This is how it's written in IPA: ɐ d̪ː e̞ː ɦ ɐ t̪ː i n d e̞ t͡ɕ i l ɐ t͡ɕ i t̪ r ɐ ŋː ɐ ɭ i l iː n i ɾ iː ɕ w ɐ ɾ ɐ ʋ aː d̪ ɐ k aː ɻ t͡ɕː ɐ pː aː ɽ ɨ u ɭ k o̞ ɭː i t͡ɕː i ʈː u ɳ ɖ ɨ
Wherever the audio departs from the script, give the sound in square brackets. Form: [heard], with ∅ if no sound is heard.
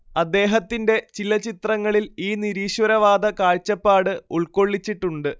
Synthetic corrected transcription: ɐ d̪ː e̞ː ɦ ɐ t̪ː i n d e̞ t͡ɕ i l ɐ t͡ɕ i t̪ r ɐ ŋː ɐ ɭ i l iː n i ɾ iː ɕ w ɐ ɾ ɐ ʋ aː d̪ ɐ k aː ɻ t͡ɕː ɐ pː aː ɽ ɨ u ɭ k o̞ ɭː i t͡ɕː i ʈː u ɳ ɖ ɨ